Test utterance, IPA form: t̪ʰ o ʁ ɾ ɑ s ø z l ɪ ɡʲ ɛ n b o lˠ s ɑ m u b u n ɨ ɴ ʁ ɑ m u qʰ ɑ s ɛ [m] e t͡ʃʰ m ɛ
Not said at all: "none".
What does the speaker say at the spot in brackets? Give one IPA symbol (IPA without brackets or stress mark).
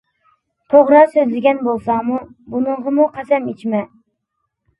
m